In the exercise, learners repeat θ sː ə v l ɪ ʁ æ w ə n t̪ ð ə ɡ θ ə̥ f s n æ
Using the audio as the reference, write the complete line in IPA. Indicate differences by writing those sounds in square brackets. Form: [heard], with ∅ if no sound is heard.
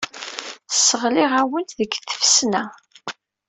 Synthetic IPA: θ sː ə [ʁ] l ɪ ʁ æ w ə n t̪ ð ə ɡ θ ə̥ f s n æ